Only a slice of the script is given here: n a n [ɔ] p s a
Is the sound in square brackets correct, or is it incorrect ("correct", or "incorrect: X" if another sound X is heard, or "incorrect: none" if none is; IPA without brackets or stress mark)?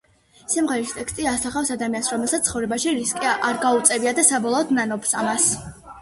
correct